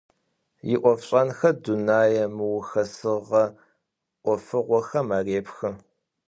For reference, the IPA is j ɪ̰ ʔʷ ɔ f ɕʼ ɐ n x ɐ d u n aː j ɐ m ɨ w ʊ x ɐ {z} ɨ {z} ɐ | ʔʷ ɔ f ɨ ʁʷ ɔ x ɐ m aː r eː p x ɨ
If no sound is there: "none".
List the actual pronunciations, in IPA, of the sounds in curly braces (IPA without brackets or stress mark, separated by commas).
s, ʁ